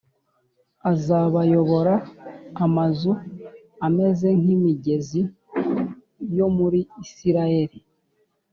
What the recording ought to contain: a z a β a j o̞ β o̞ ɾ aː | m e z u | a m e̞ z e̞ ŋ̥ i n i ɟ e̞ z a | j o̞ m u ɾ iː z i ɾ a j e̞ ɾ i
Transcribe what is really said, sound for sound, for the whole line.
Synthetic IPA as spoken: a z a β a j o̞ β o̞ ɾ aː | m a z u | a m e̞ z e̞ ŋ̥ i m i ɟ e̞ z i | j o̞ m u ɾ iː s i ɾ a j e̞ ɾ i